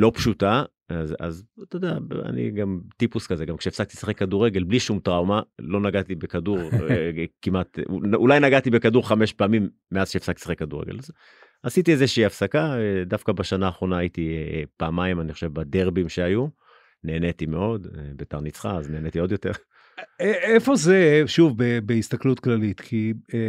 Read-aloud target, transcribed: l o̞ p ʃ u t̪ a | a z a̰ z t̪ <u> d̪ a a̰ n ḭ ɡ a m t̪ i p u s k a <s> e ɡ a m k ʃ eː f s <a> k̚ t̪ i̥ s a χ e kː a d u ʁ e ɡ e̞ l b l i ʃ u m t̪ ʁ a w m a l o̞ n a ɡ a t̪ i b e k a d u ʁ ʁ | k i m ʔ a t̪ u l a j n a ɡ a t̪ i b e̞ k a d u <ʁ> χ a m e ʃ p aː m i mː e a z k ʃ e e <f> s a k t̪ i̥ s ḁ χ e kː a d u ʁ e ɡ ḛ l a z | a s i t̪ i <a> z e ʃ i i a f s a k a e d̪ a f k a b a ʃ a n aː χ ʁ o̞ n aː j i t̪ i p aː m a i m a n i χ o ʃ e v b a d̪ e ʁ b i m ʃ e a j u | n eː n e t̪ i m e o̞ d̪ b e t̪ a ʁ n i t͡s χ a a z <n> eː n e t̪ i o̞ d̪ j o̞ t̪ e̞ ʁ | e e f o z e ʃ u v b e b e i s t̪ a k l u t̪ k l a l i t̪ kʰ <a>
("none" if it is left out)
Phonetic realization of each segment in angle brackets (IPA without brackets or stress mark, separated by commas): o, z, a, ʁ, f, e, n, i